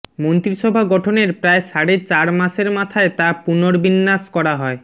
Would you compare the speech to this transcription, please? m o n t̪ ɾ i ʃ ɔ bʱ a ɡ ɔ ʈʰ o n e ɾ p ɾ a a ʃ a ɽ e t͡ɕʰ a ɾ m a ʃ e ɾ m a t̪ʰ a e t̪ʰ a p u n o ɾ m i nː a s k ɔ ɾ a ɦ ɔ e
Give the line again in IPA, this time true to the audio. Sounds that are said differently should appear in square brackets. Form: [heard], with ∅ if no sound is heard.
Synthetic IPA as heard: m o n t̪ ɾ i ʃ ɔ bʱ a ɡ ɔ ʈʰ o n e ɾ p ɾ a [e] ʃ a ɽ e [t͡ɕ] a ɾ m a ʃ e ɾ m a t̪ʰ a e [t̪] a p u n o ɾ [b] i nː a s k ɔ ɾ a ɦ ɔ e